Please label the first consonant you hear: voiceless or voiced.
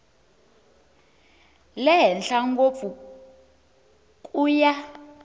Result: voiced